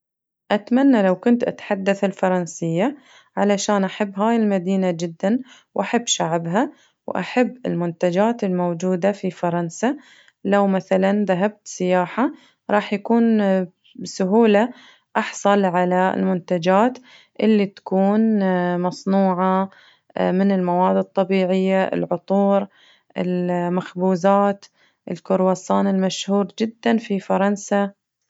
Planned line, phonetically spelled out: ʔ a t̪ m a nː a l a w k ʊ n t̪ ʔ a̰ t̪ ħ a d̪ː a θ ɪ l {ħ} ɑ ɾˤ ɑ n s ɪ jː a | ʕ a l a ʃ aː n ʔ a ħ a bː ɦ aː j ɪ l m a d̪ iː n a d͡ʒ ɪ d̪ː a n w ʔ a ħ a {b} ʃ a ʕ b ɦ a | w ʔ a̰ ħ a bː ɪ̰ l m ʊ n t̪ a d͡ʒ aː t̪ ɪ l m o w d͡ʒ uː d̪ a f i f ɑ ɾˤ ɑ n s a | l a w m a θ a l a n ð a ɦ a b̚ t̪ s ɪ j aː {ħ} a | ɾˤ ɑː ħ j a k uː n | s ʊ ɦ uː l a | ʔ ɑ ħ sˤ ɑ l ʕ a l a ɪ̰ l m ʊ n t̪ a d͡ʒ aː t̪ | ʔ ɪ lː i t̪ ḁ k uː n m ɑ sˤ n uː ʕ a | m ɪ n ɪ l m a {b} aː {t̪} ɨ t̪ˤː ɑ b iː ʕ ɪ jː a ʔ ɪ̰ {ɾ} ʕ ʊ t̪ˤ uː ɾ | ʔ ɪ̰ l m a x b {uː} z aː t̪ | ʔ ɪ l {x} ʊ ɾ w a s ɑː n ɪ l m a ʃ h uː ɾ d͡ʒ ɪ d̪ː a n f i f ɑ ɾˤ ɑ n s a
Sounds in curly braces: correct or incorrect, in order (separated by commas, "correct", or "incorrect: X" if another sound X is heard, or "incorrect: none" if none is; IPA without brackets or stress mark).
incorrect: f, incorrect: bː, correct, incorrect: w, incorrect: d̪, incorrect: l, correct, incorrect: k